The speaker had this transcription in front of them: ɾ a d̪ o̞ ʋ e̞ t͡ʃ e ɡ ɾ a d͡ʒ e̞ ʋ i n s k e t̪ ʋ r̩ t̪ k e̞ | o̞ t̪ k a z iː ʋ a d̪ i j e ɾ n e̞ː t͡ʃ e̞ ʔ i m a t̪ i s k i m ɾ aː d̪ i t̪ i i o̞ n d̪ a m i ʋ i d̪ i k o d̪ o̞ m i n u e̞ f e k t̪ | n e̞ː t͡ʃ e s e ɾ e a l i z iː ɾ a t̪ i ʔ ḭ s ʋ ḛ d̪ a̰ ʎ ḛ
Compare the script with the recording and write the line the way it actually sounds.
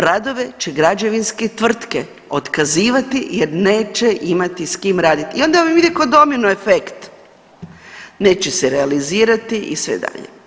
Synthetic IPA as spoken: ɾ a d̪ o̞ ʋ e̞ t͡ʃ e ɡ ɾ a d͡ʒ e̞ ʋ i n s k e t̪ ʋ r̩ t̪ k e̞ | o̞ t̪ k a z iː ʋ a t̪ i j e ɾ n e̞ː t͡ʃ e̞ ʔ i m a t̪ i s k i m ɾ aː d̪ i t̪ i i o̞ n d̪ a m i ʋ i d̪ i k o d̪ o̞ m i n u e̞ f e k t̪ | n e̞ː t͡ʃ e s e ɾ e a l i z iː ɾ a t̪ i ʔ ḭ s ʋ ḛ d̪ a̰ ʎ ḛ